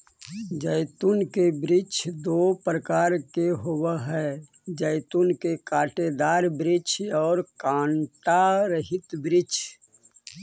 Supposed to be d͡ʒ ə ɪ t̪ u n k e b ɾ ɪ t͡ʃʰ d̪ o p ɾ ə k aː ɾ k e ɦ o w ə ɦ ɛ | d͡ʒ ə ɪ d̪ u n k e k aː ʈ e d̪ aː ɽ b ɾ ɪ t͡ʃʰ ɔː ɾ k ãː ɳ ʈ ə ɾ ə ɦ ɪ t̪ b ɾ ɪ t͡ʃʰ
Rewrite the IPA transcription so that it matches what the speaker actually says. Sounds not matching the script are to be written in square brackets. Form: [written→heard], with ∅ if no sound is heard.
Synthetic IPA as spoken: d͡ʒ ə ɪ t̪ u n k e b ɾ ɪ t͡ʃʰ d̪ o p ɾ ə k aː ɾ k e ɦ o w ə ɦ ɛ | d͡ʒ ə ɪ [d̪→t̪] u n k e k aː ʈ e d̪ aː [ɽ→ɾ] b ɾ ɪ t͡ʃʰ ɔː ɾ k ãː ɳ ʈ [ə→a] ɾ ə ɦ ɪ t̪ b ɾ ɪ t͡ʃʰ